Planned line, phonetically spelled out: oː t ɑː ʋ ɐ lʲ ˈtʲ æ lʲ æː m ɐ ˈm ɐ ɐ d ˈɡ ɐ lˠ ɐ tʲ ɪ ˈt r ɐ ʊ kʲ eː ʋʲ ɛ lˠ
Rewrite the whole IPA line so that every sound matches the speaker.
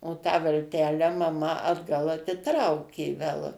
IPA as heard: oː t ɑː ʋ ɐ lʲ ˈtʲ æː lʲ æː m ɐ ˈm ɐ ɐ d ˈɡ ɐ lˠ ɐ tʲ ɪ ˈt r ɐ ʊ kʲ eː ʋʲ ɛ lˠ